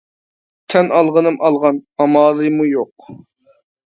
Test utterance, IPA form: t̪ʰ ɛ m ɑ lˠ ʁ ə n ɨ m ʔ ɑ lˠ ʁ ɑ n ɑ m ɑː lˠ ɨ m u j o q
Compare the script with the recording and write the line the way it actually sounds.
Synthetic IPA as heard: t̪ʰ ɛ n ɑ lˠ ʁ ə n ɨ m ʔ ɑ lˠ ʁ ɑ n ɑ m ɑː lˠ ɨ m u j o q

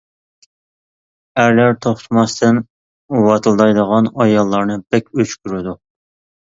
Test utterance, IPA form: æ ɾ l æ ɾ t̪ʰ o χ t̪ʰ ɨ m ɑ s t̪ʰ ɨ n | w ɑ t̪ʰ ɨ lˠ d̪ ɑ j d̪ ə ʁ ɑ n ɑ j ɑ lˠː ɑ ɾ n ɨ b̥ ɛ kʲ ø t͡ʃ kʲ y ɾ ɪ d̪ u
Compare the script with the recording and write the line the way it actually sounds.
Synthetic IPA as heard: æ ɾ l æ ɾ t̪ʰ o χ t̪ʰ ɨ m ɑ s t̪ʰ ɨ n | w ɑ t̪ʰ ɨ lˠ d̪ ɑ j d̪ ə ʁ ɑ n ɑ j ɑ lˠː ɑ ɾ n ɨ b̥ ɛ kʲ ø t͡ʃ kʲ y ɾ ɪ d̪ u

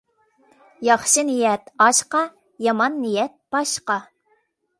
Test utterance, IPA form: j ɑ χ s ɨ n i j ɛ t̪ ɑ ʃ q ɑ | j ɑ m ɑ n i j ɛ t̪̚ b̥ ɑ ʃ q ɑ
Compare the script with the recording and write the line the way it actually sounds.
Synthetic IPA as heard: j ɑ χ ʃ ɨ n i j ɛ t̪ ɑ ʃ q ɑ | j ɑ m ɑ nː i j ɛ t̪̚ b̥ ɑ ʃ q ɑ

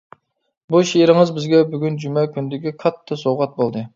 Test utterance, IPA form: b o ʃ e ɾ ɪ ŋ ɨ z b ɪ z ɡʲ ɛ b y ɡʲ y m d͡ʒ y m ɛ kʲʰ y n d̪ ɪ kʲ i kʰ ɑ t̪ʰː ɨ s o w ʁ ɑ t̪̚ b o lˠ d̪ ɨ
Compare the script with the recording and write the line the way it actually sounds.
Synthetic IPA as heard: b u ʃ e ɾ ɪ ŋ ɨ z b ɪ z ɡʲ ɛ b y ɡʲ y n d͡ʒ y m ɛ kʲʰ y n d̪ ɪ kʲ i kʰ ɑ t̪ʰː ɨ s o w ʁ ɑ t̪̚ b o lˠ d̪ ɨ

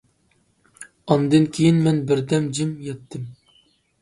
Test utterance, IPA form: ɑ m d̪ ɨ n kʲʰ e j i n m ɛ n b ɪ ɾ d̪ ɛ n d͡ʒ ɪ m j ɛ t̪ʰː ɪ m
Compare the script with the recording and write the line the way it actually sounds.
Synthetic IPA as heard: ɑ n d̪ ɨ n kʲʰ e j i n m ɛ n b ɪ ɾ d̪ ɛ m d͡ʒ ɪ m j ɛ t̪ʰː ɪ m

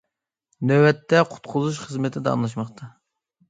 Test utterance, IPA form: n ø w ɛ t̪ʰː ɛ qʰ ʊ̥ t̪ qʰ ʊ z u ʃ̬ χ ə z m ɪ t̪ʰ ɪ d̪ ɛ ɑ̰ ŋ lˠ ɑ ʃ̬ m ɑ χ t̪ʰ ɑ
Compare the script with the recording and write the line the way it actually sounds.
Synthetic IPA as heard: n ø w ɛ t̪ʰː ɛ qʰ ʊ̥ t̪ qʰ ʊ z u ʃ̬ χ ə z m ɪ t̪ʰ ɪ d̪ ɛ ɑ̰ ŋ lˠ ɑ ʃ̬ m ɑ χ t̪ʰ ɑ

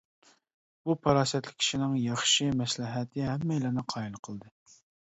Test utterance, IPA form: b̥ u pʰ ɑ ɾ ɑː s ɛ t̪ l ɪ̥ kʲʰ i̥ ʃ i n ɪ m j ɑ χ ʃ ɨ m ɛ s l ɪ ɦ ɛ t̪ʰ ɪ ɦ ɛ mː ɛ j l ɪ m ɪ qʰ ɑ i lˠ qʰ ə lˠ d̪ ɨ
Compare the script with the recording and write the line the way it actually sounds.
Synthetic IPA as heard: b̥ u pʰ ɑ ɾ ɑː s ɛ t̪ l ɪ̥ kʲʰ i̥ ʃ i n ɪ ŋ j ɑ χ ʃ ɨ m ɛ s l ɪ ɦ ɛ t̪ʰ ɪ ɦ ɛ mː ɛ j l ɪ n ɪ qʰ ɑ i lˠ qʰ ə lˠ d̪ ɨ

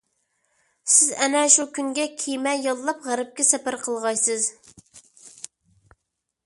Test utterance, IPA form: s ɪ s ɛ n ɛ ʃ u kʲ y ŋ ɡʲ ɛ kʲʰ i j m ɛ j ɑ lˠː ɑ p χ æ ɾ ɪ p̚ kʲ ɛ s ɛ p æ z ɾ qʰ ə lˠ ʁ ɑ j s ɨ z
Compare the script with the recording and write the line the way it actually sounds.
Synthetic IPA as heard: s ɪ z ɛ n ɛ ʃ u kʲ y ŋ ɡʲ ɛ kʲʰ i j m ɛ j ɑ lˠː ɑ p ʁ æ ɾ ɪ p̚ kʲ ɛ s ɛ p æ ɾ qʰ ə lˠ ʁ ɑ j s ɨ z

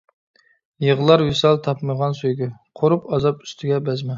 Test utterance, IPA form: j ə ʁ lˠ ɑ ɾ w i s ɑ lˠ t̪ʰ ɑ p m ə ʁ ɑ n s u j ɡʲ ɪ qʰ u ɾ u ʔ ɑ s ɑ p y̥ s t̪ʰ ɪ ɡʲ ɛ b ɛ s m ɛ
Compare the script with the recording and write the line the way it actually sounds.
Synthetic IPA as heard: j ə ʁ lˠ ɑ ɾ w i s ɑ lˠ t̪ʰ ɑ p m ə ʁ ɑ n s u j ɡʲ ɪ qʰ o ɾ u p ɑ z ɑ p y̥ s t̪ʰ ɪ ɡʲ ɛ b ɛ z m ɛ

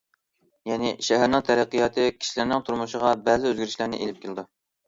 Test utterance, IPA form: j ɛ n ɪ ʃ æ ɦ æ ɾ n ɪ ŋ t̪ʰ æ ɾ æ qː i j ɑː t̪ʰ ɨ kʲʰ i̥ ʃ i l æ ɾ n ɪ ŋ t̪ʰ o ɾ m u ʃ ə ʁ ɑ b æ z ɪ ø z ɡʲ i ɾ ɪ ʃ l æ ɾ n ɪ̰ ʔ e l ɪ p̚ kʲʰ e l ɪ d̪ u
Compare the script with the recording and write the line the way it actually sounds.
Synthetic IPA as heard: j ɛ n ɪ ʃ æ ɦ æ ɾ n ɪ ŋ t̪ʰ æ ɾ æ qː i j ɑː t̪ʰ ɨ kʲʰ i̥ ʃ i l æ ɾ n ɪ ŋ t̪ʰ u ɾ m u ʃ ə ʁ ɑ b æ z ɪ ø z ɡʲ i ɾ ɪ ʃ l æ ɾ n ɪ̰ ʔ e l ɪ p̚ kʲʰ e l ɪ d̪ u

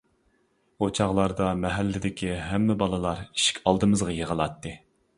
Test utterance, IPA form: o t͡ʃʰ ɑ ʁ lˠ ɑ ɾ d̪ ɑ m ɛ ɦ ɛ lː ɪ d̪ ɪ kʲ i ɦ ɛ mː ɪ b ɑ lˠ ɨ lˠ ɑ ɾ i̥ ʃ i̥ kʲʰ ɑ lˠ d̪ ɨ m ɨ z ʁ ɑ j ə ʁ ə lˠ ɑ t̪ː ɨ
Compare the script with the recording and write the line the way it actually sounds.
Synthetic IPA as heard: o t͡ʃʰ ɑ ʁ lˠ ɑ ɾ d̪ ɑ m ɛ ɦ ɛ lː ɪ d̪ ɪ kʲ i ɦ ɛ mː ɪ b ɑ lˠ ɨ lˠ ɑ ɾ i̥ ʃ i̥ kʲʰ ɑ lˠ d̪ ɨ m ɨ z ʁ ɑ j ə ʁ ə lˠ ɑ t̪ː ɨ

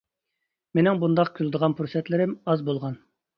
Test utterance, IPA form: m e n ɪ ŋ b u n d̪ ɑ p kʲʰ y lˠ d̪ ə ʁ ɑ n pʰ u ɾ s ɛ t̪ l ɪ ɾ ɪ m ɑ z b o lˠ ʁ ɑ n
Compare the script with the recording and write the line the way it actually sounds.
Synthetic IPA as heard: m e n ɪ ŋ b u n d̪ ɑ q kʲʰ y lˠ d̪ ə ʁ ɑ n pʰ u ɾ s ɛ t̪ l ɪ ɾ ɪ m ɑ z b o lˠ ʁ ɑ n

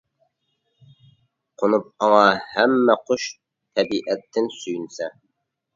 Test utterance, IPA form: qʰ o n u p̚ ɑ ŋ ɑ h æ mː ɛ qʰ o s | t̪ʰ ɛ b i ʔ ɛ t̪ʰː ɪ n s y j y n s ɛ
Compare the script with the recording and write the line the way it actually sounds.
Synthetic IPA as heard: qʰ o n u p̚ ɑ ŋ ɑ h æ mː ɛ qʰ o ʃ | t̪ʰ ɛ b i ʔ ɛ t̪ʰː ɪ n s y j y n s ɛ

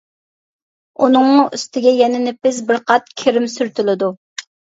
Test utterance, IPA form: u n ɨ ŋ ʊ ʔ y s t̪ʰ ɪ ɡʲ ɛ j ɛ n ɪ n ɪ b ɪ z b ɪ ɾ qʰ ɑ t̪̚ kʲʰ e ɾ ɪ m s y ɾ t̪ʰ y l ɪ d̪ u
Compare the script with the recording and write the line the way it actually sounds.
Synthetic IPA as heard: u n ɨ ŋ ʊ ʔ y s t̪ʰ ɪ ɡʲ ɛ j ɛ n ɪ n ɪ p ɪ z b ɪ ɾ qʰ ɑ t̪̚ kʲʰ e ɾ ɪ m s y ɾ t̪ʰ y l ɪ d̪ u

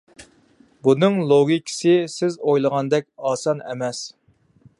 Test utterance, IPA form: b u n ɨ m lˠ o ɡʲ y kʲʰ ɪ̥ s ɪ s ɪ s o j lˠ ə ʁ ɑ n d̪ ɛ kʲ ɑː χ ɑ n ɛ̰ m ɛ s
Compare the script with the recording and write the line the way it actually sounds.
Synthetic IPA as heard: b u n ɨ ŋ lˠ o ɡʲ i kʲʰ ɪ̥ s ɪ s ɪ z o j lˠ ə ʁ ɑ n d̪ ɛ kʲ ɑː s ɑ n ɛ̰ m ɛ s

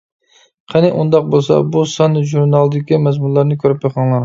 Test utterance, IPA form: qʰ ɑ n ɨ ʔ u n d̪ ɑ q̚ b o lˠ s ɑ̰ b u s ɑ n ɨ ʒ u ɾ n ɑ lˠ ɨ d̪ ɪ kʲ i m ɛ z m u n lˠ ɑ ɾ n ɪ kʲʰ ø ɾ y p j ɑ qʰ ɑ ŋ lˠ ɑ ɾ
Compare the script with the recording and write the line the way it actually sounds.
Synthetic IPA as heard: qʰ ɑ n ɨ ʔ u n d̪ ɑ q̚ b o lˠ s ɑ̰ b u s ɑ n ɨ ʒ u ɾ n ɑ lˠ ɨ d̪ ɪ kʲ i m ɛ z m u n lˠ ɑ ɾ n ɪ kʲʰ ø ɾ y p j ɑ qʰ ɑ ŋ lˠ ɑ ɾ

